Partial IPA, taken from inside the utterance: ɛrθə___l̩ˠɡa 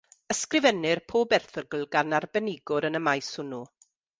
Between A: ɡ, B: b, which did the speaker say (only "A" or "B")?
A